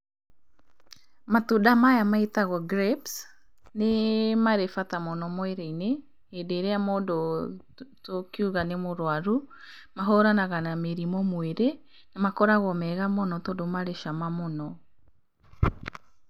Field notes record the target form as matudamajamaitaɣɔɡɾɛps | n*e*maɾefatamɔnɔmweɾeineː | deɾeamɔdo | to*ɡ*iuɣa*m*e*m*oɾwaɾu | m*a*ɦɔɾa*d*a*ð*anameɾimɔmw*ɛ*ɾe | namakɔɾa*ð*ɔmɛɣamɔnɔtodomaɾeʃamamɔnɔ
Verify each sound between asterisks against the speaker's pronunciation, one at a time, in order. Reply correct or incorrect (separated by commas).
correct, incorrect, incorrect, correct, correct, incorrect, incorrect, incorrect, incorrect